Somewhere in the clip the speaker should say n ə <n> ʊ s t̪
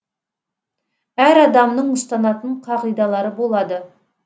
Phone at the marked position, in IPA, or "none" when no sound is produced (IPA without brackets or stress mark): ɴ